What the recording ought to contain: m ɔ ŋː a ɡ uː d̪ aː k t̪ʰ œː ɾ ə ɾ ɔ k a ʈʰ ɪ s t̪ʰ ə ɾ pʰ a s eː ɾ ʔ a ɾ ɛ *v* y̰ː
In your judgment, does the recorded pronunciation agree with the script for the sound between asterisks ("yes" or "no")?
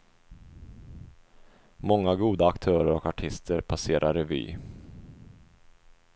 yes